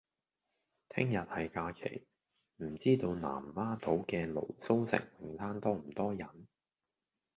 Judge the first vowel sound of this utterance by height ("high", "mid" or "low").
high